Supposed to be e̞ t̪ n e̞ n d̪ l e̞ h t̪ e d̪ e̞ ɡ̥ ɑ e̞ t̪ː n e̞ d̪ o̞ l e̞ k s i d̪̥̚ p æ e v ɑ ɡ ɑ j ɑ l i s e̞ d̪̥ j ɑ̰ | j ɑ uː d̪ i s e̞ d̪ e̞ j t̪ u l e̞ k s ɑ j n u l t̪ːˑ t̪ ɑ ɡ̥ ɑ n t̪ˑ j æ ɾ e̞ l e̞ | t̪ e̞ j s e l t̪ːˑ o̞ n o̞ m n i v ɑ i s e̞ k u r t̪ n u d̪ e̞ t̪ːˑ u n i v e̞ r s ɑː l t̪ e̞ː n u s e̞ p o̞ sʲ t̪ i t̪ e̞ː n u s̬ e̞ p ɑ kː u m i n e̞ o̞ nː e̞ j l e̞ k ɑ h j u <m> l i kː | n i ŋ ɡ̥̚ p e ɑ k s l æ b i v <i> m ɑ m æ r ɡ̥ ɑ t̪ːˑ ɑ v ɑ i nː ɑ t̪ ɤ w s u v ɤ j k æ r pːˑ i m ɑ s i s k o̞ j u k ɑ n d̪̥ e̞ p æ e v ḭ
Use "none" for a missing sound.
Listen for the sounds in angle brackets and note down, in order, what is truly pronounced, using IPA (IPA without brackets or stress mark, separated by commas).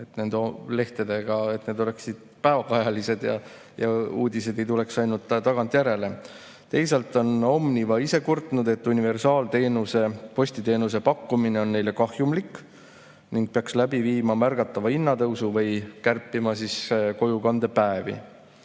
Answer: m, iː